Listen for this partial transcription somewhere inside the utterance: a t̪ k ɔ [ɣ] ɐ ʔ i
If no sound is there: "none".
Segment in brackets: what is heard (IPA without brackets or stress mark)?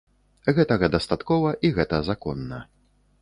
v